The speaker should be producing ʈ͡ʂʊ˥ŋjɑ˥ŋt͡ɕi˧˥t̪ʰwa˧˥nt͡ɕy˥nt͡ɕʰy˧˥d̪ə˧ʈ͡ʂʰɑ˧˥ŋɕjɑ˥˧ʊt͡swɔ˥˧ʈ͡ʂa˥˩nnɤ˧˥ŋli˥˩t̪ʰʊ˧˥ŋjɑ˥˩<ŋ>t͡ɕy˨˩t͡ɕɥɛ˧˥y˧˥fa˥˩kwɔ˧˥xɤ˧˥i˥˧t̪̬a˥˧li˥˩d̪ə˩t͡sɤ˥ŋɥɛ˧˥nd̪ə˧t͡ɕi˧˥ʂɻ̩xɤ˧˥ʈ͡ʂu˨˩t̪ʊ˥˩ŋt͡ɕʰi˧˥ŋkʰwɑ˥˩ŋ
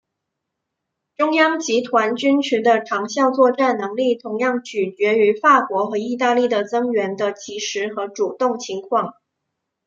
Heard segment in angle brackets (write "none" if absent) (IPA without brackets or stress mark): ŋ